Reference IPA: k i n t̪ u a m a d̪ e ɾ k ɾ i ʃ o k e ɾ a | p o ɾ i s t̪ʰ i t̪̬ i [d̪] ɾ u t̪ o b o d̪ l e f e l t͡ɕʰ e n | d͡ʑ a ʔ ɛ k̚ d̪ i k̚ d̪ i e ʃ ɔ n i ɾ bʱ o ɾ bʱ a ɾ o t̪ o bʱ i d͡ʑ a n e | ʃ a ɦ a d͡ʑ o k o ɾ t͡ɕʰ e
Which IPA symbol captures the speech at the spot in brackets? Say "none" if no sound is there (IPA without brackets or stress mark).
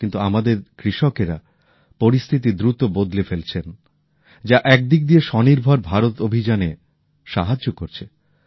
d̪